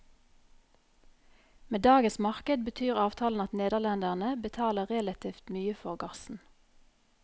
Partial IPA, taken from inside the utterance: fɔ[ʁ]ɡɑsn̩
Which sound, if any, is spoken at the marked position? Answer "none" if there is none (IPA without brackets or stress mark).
ʁ